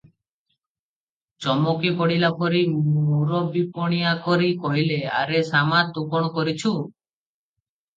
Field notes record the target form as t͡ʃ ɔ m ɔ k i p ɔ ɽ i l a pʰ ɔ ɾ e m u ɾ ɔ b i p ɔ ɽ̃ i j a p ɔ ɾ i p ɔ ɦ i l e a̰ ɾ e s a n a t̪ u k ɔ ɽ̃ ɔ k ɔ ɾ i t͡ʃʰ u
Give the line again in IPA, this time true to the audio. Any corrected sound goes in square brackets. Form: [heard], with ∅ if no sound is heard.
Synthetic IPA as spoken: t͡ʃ ɔ m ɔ k i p ɔ ɽ i l a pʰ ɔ ɾ [i] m u ɾ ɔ b i p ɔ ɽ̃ i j a [k] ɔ ɾ i [k] ɔ ɦ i l e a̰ ɾ e s a [m] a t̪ u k ɔ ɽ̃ ɔ k ɔ ɾ i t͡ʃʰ u